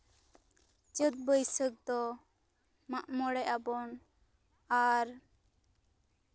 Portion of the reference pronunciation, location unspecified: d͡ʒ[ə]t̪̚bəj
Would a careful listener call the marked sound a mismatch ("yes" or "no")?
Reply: no